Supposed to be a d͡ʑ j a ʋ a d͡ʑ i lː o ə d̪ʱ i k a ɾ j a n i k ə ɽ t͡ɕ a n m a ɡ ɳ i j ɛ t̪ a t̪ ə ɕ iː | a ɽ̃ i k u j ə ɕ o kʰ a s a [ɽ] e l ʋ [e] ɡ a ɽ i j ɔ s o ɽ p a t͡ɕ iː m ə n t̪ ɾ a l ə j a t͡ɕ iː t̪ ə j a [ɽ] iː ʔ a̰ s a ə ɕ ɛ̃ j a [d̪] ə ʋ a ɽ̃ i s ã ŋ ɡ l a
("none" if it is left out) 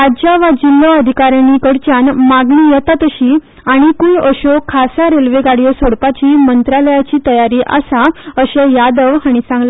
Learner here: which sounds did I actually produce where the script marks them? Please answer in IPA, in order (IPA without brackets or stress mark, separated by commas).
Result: ɾ, e, ɾ, d̪